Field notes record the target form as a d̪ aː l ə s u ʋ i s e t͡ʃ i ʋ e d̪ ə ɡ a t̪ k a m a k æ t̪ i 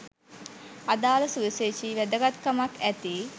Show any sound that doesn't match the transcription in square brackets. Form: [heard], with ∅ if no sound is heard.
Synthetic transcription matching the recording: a d̪ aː l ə s u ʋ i s e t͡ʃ i ʋ [æ] d̪ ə ɡ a t̪ k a m a k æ t̪ i